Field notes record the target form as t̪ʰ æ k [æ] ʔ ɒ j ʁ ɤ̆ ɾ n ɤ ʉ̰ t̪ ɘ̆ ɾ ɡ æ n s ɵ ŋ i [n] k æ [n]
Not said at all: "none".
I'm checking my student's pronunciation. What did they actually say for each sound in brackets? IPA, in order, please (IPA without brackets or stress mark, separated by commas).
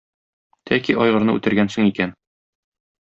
i, none, n